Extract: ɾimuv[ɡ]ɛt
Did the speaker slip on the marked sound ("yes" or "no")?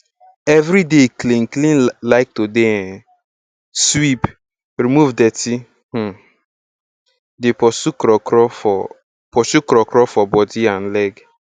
yes